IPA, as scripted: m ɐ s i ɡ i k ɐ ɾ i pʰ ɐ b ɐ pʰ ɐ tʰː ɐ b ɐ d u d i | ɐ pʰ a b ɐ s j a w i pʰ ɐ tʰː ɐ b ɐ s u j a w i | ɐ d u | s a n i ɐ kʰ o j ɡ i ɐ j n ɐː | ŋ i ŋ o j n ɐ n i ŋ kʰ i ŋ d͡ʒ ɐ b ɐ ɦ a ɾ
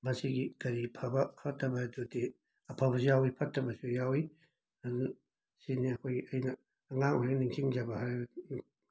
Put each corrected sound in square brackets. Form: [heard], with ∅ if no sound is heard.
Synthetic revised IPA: m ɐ s i ɡ i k ɐ ɾ i pʰ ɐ b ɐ pʰ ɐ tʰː ɐ b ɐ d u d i | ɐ pʰ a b ɐ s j a w i pʰ ɐ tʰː ɐ b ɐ s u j a w i | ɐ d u | s [i] n i ɐ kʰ o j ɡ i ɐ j n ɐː | ŋ [a] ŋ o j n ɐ n i ŋ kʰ i ŋ d͡ʒ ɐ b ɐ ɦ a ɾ

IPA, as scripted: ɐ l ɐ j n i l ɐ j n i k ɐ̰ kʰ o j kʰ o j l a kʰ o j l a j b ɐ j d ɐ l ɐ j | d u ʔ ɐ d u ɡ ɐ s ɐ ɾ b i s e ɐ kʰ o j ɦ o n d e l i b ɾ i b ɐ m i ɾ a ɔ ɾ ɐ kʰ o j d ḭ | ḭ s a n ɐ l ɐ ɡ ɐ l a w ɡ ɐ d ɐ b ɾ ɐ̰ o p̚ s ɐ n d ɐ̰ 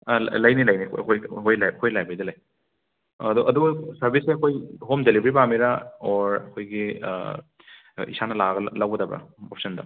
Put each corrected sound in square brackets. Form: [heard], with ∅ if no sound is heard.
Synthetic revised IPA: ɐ l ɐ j n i l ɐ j n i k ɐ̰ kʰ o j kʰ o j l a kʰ o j l a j b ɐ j d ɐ l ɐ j | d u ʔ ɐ d u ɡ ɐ s ɐ ɾ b i s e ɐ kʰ o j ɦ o [m] d e l i b ɾ i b [a] m i ɾ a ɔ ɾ ɐ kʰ o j [ɡ] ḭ | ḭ s a n ɐ l [a] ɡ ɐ l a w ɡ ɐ d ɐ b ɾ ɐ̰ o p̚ s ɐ n d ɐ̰

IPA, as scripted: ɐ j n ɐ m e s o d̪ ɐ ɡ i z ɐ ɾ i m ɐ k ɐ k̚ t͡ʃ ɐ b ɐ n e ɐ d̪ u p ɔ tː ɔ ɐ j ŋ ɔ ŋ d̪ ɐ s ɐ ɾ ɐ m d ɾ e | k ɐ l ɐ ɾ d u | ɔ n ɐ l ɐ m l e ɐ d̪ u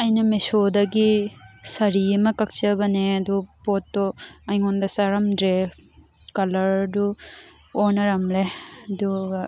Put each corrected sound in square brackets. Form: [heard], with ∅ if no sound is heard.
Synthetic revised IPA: ɐ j n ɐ m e s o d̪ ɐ ɡ i [s] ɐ ɾ i m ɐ k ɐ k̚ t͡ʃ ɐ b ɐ n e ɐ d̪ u p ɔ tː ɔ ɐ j ŋ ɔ [n] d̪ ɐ s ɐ ɾ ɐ m d ɾ e | k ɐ l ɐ ɾ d u | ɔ n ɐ [ɾ] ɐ m l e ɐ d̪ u

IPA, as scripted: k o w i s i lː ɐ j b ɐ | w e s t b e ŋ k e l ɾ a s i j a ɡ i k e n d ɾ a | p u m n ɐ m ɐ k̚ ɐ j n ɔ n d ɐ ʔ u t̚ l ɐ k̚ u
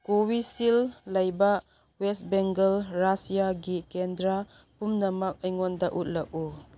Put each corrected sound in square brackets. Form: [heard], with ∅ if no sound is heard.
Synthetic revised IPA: k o w i s i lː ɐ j b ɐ | w e s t b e ŋ [ɡ] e l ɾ a s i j a ɡ i k e n d ɾ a | p u m n ɐ m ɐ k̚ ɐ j [ŋ] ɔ n d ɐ ʔ u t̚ l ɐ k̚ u

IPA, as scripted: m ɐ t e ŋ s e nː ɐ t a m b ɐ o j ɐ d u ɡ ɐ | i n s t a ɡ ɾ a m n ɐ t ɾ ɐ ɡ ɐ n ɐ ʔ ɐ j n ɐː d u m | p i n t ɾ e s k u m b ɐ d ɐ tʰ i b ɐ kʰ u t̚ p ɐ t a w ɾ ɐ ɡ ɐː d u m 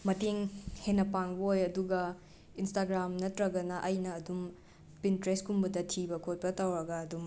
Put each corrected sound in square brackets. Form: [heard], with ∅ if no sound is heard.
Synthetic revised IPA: m ɐ t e ŋ [h] e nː ɐ [p] a [ŋ] b ɐ o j ɐ d u ɡ ɐ | i n s t a ɡ ɾ a m n ɐ t ɾ ɐ ɡ ɐ n ɐ ʔ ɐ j n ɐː d u m | p i n t ɾ e s k u m b ɐ d ɐ tʰ i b ɐ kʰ [o] t̚ p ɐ t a w ɾ ɐ ɡ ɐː d u m

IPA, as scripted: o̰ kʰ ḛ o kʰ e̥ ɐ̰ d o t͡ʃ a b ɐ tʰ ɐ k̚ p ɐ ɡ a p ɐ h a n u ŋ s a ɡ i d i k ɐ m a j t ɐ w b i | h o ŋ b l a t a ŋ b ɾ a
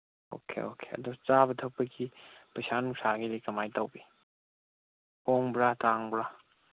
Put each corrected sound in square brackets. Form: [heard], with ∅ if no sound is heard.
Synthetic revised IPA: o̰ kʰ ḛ o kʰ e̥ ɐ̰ d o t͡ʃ a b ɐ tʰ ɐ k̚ p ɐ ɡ [i] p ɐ [s] a n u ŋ s a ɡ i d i k ɐ m a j t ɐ w b i | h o ŋ b [ɾ] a t a ŋ b ɾ a

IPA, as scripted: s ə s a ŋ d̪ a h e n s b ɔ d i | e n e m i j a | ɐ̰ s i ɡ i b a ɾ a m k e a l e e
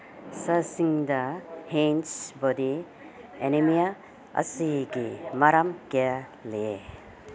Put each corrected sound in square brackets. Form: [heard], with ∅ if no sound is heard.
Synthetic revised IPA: s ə s [i] ŋ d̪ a h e n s b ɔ d i | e n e m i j a | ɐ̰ s i ɡ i [m] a ɾ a m k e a l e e

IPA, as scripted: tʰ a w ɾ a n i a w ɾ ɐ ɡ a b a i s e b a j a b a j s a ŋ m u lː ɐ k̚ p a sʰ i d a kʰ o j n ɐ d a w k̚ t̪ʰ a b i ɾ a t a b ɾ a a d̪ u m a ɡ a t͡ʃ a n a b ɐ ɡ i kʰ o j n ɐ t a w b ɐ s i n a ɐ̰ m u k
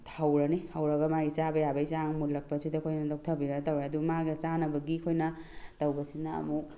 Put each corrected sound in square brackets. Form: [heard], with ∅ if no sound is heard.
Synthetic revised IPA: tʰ a w ɾ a n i a w ɾ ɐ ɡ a [m] a i s [a] b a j a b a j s a ŋ m u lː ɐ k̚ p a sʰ i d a kʰ o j n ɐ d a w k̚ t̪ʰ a b i ɾ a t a [w] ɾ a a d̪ u m a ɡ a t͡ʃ a n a b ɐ ɡ i kʰ o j n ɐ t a w b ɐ s i n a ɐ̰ m u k

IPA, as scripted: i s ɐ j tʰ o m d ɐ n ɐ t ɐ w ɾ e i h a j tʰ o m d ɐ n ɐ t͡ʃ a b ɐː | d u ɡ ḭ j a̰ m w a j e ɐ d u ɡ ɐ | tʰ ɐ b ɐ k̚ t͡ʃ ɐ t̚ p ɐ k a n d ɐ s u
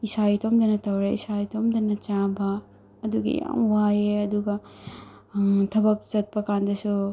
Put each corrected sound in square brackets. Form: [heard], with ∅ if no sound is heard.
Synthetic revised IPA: i s [a] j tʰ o m d ɐ n ɐ t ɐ w ɾ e i [s] a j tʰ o m d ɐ n ɐ t͡ʃ a b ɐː | d u ɡ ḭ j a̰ m w a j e ɐ d u ɡ ɐ | tʰ ɐ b ɐ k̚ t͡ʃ ɐ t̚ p ɐ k a n d ɐ s u

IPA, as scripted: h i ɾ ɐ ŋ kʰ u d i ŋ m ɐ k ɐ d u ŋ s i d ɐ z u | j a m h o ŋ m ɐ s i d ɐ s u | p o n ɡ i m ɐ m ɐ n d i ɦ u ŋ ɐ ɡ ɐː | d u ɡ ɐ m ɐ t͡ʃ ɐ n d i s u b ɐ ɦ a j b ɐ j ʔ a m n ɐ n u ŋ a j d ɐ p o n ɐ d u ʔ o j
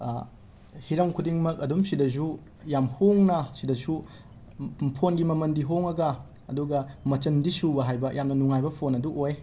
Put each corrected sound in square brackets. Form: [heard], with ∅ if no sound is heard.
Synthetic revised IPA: h i ɾ ɐ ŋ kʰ u d i ŋ m ɐ k ɐ d u [m] s i d ɐ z u | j a m h o ŋ [n] ɐ s i d ɐ s u | [pʰ] o n ɡ i m ɐ m ɐ n d i ɦ [o] ŋ ɐ ɡ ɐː | d u ɡ ɐ m ɐ t͡ʃ ɐ n d i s u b ɐ ɦ a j b ɐ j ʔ a m n ɐ n u ŋ a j [b] ɐ [pʰ] o n ɐ d u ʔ o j

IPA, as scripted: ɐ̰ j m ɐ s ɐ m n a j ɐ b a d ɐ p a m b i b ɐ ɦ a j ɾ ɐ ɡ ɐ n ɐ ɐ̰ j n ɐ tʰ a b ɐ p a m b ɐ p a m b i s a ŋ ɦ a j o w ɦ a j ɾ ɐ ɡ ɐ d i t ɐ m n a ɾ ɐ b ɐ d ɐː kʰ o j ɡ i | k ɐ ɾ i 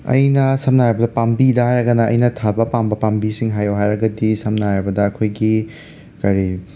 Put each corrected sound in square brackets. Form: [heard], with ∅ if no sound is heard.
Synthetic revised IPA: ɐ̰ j [n] ɐ s ɐ m n a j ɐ b [ɐ] d ɐ p a m b i [d] ɐ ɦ a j ɾ ɐ ɡ ɐ n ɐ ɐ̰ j n ɐ tʰ a b ɐ p a m b ɐ p a m b i s [i] ŋ ɦ a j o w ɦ a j ɾ ɐ ɡ ɐ d i [s] ɐ m n a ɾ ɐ b ɐ d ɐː kʰ o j ɡ i | k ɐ ɾ i

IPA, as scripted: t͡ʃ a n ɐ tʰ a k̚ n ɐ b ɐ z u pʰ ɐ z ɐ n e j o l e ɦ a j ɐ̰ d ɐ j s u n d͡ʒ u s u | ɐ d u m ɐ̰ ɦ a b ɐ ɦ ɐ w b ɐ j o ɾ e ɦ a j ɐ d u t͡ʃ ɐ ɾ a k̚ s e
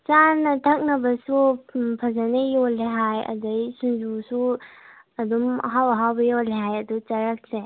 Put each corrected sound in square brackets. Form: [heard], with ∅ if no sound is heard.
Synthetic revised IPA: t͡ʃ a n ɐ tʰ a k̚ n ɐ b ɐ [s] u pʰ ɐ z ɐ n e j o l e ɦ a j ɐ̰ d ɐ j s u n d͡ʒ u s u | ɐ d u m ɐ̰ ɦ a [w] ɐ ɦ [a] w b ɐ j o [l] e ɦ a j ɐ d u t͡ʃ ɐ ɾ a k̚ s e

